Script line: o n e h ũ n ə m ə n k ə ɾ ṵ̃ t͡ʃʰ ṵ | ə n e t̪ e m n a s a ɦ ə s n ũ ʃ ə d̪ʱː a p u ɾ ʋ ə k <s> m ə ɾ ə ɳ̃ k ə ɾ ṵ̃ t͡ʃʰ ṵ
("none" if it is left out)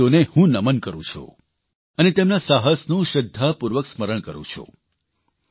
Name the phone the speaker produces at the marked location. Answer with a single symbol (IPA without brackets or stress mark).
s